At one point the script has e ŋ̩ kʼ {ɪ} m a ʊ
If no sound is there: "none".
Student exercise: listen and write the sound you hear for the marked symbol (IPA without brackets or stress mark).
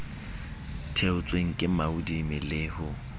ɪ